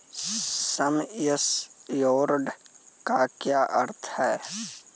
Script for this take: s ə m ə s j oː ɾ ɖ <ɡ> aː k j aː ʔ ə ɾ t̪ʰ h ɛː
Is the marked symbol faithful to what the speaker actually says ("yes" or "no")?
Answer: no